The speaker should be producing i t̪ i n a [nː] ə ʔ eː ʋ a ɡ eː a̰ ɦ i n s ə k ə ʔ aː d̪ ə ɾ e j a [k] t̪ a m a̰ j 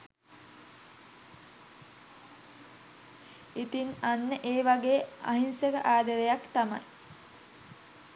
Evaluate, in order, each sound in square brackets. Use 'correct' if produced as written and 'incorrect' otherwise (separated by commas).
correct, correct